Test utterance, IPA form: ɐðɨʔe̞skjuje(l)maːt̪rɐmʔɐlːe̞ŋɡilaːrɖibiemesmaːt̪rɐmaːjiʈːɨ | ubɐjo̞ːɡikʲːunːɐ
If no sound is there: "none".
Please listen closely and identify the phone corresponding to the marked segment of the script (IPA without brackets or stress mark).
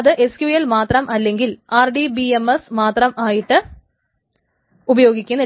l